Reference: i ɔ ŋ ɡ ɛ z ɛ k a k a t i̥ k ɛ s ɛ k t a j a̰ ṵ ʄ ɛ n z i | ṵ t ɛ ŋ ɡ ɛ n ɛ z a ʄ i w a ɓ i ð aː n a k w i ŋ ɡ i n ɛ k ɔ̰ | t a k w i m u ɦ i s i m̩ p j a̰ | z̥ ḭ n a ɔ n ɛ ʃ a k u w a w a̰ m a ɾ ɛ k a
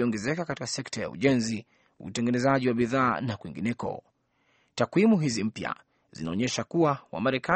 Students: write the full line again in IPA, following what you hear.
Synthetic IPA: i ɔ ŋ ɡ ɛ z ɛ k a k a t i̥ k a s ɛ k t a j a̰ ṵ ʄ ɛ n z i | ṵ t ɛ ŋ ɡ ɛ n ɛ z a ʄ i w a ɓ i ð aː n a k w i ŋ ɡ i n ɛ k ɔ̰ | t a k w i m u ɦ i z i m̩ p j a̰ | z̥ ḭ n a ɔ ɲ ɛ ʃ a k u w a w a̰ m a ɾ ɛ k a